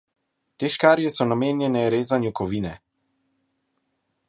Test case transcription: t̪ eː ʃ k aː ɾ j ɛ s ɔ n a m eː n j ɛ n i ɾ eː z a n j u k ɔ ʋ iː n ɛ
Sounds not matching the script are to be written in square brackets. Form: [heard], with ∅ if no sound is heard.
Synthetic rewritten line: t̪ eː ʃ k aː ɾ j ɛ s ɔ n a m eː n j ɛ n [ɛ] ɾ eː z a n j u k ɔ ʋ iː n ɛ

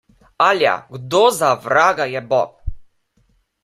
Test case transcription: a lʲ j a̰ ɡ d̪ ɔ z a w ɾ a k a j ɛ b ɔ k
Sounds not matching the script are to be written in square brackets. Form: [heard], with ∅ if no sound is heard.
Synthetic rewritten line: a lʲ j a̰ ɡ d̪ ɔ z a [v] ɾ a [ɡ] a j ɛ b ɔ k

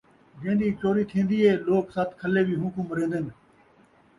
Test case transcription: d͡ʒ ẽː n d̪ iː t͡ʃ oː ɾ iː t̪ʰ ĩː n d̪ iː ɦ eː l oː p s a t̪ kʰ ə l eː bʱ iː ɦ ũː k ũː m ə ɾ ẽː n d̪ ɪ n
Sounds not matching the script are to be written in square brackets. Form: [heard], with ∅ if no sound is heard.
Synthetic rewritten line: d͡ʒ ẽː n d̪ iː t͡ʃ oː ɾ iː t̪ʰ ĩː n d̪ iː ɦ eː l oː [k] s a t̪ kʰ ə l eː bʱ iː ɦ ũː k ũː m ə ɾ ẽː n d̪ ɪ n

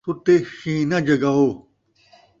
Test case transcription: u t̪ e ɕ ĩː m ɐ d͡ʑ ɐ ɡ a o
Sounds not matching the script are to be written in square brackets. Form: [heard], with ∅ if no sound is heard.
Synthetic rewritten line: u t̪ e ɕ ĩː [n] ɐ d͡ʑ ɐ ɡ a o

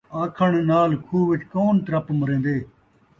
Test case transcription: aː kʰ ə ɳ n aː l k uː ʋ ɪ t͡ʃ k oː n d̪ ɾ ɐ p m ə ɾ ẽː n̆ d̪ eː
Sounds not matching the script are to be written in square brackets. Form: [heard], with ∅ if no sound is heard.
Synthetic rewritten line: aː kʰ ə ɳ n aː l [kʰ] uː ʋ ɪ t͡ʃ k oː n [t̪] ɾ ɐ p m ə ɾ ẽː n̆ d̪ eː

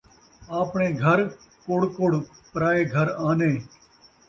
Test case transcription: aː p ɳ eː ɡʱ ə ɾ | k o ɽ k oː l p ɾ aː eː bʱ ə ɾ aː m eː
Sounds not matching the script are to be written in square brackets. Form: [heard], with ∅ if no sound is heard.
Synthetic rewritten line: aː p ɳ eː ɡʱ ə ɾ | k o ɽ k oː [ɽ] p ɾ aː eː [ɡʱ] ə ɾ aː [n] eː

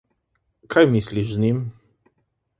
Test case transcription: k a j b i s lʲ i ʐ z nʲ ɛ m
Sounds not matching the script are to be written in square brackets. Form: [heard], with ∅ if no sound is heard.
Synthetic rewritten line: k a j [m] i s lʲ i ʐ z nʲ [i] m

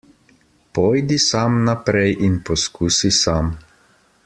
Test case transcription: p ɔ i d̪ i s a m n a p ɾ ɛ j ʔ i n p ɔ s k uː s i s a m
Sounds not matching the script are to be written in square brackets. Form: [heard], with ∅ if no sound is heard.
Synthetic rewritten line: p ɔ [j] d̪ i s a m n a p ɾ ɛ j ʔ i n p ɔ s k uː s i s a m

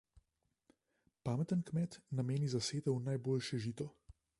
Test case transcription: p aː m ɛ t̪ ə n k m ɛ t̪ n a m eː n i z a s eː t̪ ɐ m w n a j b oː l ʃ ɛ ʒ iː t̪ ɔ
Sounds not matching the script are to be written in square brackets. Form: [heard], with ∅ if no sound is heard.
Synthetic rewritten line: p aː m ɛ t̪ ə n k m ɛ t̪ n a m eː n i z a s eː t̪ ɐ [∅] w n a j b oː l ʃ ɛ ʒ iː t̪ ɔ

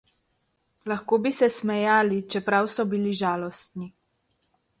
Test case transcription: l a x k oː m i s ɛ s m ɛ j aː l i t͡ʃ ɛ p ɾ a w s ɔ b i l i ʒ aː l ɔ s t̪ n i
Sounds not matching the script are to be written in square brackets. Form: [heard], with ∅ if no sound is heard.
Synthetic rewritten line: l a x k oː [b] i s ɛ s m ɛ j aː l i t͡ʃ ɛ p ɾ a w s ɔ b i l i ʒ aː l ɔ s t̪ n i

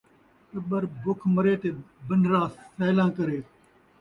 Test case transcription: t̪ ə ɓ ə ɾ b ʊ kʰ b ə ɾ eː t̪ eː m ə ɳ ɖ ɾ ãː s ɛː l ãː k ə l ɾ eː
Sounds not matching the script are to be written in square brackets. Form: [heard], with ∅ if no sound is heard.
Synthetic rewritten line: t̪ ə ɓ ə ɾ b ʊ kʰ [m] ə ɾ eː t̪ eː [b] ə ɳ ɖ ɾ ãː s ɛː l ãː k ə [∅] ɾ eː

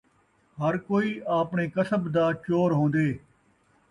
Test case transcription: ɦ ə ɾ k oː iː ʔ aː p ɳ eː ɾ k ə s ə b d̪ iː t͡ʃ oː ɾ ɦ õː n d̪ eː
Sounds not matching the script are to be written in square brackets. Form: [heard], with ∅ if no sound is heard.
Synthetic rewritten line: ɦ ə ɾ k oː iː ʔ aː p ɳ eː [∅] k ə s ə b d̪ [aː] t͡ʃ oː ɾ ɦ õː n d̪ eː

